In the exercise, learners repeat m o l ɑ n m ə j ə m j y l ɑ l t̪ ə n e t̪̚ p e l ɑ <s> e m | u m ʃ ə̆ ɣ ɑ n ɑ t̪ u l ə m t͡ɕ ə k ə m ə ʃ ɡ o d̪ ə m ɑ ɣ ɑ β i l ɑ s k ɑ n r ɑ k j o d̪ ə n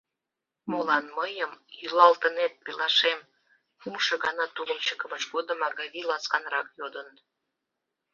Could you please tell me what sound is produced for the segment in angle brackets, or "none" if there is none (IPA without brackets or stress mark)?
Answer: ʃ